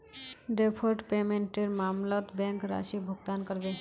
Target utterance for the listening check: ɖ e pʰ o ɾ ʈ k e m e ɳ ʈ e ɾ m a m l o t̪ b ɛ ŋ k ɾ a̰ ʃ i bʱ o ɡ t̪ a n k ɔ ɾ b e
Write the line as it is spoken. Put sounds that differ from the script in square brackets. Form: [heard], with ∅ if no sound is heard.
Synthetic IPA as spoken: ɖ e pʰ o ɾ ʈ [p] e m e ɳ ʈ e ɾ m a m l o t̪ b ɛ ŋ k ɾ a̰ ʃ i bʱ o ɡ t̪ a n k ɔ ɾ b e

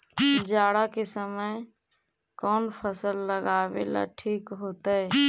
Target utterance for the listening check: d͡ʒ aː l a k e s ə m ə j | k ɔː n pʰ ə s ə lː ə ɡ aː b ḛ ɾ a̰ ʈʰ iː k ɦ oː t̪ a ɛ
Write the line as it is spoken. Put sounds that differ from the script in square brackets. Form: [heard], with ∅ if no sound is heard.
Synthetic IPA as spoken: d͡ʒ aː [ɽ] a k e s ə m ə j | k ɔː n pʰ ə s ə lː ə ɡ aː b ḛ [l] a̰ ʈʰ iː k ɦ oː t̪ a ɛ

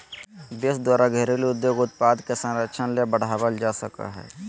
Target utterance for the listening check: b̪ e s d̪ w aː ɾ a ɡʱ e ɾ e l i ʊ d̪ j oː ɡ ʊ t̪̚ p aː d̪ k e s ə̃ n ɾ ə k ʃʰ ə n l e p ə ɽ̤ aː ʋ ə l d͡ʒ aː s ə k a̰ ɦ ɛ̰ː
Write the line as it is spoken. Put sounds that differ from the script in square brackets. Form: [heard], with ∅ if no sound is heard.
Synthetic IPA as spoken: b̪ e s d̪ w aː ɾ a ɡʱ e ɾ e l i ʊ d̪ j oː ɡ ʊ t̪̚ p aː d̪ k e s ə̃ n ɾ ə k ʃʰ ə n l e [b] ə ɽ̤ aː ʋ ə l d͡ʒ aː s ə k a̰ ɦ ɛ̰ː

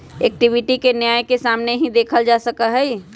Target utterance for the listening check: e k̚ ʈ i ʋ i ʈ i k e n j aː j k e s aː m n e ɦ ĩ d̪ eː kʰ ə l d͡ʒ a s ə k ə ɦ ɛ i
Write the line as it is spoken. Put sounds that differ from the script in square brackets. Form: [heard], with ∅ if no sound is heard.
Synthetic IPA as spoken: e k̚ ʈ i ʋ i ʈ i k e n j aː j k e s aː m n e ɦ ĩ d̪ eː kʰ ə l d͡ʒ a s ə k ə ɦ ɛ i

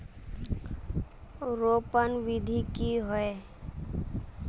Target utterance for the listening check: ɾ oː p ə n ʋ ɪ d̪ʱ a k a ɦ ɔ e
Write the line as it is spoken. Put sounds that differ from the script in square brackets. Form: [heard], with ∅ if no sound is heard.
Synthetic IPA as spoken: ɾ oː p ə n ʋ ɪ d̪ʱ [i] k [i] ɦ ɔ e

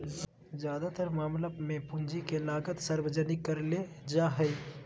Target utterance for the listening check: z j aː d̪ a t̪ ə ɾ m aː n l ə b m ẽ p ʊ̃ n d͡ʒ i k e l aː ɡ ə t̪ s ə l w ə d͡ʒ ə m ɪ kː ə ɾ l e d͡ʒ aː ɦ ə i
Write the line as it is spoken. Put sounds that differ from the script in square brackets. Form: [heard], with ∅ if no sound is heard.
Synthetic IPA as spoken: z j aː d̪ a t̪ ə ɾ m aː [m] l ə b m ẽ p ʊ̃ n d͡ʒ i k e l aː ɡ ə t̪ s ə [ɾ] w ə d͡ʒ ə [n] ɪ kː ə ɾ l e d͡ʒ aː ɦ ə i

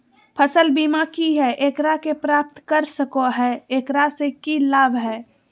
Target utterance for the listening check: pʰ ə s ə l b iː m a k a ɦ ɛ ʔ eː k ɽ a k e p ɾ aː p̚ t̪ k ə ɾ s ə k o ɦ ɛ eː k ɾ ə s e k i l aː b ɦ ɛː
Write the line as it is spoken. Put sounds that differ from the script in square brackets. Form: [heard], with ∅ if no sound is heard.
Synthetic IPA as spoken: pʰ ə s ə l b iː m a k [i] ɦ ɛ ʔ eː k [ɾ] a k e p ɾ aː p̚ t̪ k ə ɾ s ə k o ɦ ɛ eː k ɾ [a] s e k i l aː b ɦ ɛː

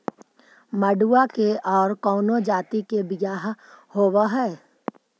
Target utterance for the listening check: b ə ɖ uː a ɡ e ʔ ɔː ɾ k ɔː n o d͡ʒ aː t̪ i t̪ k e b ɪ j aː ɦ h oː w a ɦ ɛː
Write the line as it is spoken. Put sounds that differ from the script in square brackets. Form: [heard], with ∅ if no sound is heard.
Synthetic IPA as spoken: [m] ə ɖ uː a [k] e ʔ ɔː ɾ k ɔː n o d͡ʒ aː t̪ i [∅] k e b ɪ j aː ɦ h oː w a ɦ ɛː

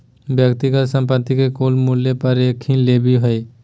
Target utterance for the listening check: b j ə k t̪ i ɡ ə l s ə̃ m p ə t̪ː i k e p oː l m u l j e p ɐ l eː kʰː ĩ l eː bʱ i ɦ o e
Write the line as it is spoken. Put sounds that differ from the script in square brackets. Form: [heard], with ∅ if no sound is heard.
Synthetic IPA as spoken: b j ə k t̪ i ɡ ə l s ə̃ m p ə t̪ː i k e [k] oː l m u l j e p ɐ [ɾ] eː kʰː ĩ l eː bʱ i ɦ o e

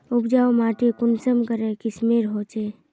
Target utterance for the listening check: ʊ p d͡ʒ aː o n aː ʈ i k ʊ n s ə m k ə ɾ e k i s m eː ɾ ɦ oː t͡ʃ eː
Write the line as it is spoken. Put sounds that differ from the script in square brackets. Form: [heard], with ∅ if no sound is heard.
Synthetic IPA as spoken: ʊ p d͡ʒ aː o [m] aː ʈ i k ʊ n s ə m k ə ɾ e k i s m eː ɾ ɦ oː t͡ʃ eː

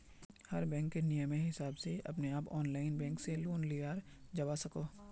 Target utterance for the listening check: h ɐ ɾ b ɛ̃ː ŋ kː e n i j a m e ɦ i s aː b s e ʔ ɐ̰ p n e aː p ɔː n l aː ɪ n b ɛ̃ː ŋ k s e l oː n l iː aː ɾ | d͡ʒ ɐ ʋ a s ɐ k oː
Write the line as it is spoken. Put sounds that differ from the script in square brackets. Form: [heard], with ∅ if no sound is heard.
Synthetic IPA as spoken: h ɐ ɾ b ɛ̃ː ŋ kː e n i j [ə] m e ɦ [ɪ] s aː b s e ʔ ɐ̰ p n e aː p ɔː n l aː ɪ n b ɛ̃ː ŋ k s e l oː n l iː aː ɾ | d͡ʒ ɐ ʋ a s ɐ k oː

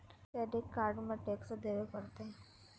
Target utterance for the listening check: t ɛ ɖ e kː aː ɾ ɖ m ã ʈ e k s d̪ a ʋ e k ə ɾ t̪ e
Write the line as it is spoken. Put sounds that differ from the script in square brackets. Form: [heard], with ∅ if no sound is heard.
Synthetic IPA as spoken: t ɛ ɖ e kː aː ɾ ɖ m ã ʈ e k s d̪ [e] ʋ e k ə ɾ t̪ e

